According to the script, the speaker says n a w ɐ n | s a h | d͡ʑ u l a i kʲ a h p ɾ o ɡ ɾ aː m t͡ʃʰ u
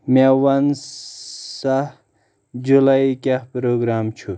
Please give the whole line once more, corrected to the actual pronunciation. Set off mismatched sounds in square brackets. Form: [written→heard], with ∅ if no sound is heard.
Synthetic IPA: [n→m] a w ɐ n | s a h | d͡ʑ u l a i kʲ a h p ɾ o ɡ ɾ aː m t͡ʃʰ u